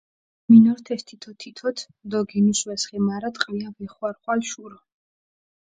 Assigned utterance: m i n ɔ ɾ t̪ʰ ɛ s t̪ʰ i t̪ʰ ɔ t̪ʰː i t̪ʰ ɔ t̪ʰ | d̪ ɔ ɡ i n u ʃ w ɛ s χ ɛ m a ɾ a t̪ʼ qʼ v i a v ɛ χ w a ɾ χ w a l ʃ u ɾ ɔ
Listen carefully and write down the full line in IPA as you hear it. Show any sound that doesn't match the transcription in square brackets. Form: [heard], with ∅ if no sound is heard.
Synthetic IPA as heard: m i n ɔ ɾ t̪ʰ ɛ s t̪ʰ i t̪ʰ ɔ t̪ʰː i t̪ʰ ɔ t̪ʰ | d̪ ɔ ɡ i n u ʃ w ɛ s χ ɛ m a ɾ a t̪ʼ qʼ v i a v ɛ χ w a ɾ χ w a l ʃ u ɾ ɔ